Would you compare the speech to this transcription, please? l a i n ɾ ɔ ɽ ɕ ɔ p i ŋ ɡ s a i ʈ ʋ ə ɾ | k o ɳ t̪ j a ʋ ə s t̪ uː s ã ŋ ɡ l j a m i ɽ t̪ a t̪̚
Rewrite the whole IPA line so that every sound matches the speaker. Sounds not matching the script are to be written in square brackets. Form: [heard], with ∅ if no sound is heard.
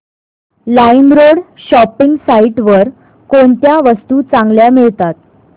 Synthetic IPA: l a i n ɾ [o] ɽ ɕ ɔ p i ŋ ɡ s a i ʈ ʋ ə ɾ | k o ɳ t̪ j a ʋ ə s t̪ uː [t͡s] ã ŋ ɡ l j a m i [ɭ] t̪ a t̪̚